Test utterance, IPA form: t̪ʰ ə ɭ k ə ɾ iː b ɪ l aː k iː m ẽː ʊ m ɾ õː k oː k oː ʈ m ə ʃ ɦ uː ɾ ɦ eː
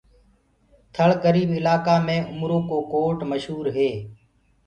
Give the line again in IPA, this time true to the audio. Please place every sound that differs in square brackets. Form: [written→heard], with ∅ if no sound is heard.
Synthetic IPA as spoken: t̪ʰ ə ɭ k ə ɾ iː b ɪ l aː k [iː→aː] m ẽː ʊ m ɾ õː k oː k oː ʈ m ə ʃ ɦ uː ɾ ɦ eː

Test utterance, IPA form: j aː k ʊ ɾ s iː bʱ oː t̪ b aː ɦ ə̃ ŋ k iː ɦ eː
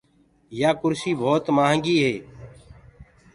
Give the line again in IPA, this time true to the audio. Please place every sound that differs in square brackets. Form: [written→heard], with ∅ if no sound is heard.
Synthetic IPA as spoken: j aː k ʊ ɾ s iː bʱ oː t̪ [b→m] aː ɦ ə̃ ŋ [k→ɡ] iː ɦ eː

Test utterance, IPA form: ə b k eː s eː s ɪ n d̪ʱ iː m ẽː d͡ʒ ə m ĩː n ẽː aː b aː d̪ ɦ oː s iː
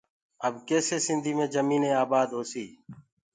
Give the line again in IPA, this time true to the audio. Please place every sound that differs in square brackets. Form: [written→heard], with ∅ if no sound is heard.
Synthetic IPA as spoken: ə b k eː s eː s ɪ n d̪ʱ iː m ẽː d͡ʒ ə m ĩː n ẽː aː b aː d̪ ɦ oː s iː

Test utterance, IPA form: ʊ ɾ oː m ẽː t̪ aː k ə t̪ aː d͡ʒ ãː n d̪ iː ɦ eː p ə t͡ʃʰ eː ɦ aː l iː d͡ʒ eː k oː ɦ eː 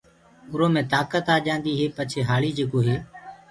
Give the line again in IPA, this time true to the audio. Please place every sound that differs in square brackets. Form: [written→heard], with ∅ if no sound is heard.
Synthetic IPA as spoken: ʊ ɾ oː m ẽː t̪ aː k ə t̪ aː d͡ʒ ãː n d̪ iː ɦ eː p ə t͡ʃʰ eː ɦ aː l iː d͡ʒ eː k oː ɦ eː

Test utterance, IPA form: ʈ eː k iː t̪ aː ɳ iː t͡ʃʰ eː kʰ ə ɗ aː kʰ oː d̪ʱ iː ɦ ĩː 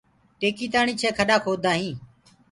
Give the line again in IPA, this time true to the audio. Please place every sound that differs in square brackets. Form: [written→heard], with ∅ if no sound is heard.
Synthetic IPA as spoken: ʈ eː k iː t̪ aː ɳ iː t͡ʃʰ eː kʰ ə ɗ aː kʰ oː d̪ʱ [iː→aː] ɦ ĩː

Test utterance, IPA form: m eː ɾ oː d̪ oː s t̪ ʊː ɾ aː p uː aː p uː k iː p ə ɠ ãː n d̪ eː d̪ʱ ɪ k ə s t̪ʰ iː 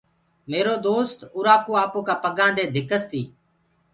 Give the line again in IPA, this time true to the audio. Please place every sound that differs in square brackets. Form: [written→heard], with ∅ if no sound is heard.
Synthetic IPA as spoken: m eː ɾ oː d̪ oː s t̪ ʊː ɾ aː [p→k] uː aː p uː k [iː→aː] p ə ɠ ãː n d̪ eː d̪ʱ ɪ k ə s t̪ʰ iː

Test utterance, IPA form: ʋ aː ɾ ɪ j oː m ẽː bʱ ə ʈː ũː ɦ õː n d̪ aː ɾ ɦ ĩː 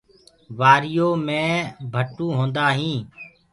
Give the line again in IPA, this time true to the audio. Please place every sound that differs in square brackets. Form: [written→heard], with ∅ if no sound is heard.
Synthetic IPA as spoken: ʋ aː ɾ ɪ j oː m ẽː bʱ ə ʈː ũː ɦ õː n d̪ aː [ɾ→∅] ɦ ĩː

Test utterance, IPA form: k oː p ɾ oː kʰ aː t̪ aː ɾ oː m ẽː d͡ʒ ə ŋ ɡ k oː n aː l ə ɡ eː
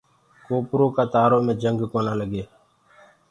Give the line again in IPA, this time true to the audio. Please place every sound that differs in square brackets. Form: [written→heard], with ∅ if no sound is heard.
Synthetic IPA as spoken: k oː p ɾ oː [kʰ→k] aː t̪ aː ɾ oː m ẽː d͡ʒ ə ŋ ɡ k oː n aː l ə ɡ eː

